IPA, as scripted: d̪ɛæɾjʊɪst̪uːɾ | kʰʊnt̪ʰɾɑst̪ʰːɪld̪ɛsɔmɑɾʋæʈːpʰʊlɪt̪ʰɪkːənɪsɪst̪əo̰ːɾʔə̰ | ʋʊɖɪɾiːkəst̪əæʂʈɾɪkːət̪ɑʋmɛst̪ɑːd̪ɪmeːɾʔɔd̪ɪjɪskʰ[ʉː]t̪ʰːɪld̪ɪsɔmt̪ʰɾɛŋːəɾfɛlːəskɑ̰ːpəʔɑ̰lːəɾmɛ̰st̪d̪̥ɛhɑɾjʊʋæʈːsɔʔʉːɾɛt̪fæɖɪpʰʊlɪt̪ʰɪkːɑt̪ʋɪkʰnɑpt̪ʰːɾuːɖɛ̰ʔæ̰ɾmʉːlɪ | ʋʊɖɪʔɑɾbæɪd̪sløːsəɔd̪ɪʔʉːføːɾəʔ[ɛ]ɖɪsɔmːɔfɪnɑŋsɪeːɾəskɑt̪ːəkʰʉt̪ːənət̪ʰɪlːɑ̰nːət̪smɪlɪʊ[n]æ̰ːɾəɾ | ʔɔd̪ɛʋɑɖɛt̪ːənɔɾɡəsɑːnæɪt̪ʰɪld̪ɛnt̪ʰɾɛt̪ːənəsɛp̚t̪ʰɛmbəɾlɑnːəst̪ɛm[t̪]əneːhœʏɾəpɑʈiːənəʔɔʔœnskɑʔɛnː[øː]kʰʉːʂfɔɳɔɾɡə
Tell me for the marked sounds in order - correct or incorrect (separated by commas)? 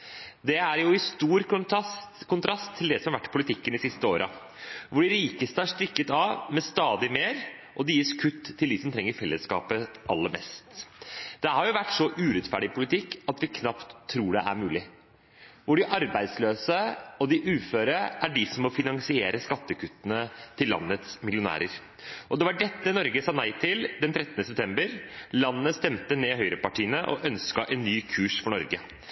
incorrect, incorrect, correct, correct, incorrect